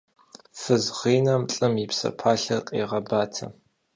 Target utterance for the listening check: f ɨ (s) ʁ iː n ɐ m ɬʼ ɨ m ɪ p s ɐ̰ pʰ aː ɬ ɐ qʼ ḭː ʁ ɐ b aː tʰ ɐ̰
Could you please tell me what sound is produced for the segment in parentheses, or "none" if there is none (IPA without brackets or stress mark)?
z